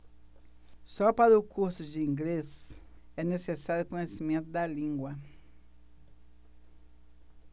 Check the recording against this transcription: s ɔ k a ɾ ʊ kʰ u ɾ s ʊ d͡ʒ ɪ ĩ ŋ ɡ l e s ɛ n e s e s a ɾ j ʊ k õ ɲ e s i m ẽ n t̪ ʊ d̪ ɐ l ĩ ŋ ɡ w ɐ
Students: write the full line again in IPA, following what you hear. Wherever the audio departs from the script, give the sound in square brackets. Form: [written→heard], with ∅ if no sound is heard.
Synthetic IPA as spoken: s ɔ [k→p] a ɾ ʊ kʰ u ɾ s ʊ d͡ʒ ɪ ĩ ŋ ɡ l e s ɛ n e s e s a ɾ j ʊ k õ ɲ e s i m ẽ n t̪ ʊ d̪ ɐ l ĩ ŋ ɡ w ɐ